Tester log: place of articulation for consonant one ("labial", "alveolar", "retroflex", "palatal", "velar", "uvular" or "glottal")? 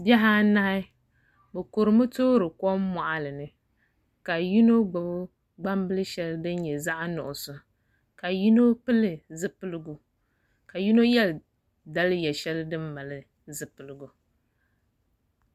labial